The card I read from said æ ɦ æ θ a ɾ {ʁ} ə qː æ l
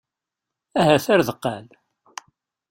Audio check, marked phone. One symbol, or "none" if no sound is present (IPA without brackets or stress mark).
ð